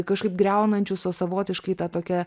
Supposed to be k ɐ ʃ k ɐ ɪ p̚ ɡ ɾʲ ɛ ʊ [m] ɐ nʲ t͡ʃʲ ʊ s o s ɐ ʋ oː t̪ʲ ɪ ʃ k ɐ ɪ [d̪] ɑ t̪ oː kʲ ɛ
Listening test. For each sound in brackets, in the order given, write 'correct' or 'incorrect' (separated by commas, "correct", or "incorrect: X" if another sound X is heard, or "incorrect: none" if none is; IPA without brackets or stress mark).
incorrect: n, incorrect: t̪